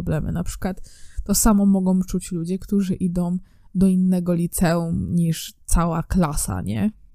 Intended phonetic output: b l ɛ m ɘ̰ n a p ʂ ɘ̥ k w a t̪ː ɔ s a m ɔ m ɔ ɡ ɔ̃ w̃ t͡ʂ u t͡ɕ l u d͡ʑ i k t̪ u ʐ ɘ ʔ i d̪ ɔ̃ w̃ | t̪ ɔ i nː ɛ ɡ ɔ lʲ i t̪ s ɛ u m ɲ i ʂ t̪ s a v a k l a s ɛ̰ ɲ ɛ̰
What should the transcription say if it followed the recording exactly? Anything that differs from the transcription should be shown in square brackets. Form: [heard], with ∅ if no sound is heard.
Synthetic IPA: b l ɛ m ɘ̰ n a p ʂ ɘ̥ k w a t̪ː ɔ s a m ɔ m ɔ ɡ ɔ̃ w̃ t͡ʂ u t͡ɕ l u d͡ʑ [ɛ] k t̪ u ʐ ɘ ʔ i d̪ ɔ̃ w̃ | [d̪] ɔ i nː ɛ ɡ ɔ lʲ i t̪ s ɛ u m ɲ i ʂ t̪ s a [w] a k l a s [a̰] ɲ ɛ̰